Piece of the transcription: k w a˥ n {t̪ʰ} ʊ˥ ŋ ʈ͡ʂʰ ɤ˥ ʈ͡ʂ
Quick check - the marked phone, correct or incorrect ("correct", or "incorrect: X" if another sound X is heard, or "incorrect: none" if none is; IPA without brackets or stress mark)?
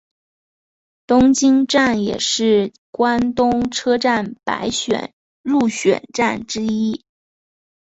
incorrect: t̪